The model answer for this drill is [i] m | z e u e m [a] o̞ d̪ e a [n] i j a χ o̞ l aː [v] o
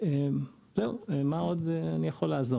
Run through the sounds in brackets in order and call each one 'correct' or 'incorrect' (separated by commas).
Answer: incorrect, correct, correct, incorrect